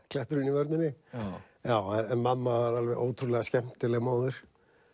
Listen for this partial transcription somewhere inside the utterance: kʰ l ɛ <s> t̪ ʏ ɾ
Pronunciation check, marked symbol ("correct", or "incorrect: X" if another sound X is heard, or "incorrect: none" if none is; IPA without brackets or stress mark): incorrect: h